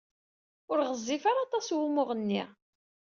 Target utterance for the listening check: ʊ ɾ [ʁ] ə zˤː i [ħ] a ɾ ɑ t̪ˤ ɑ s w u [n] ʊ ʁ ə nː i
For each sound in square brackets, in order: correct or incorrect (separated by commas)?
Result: correct, incorrect, incorrect